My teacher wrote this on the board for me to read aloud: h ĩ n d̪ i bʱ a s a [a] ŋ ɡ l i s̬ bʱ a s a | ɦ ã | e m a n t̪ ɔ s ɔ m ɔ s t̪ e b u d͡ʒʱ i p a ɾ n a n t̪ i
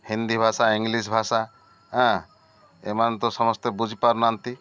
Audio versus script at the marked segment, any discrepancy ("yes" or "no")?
yes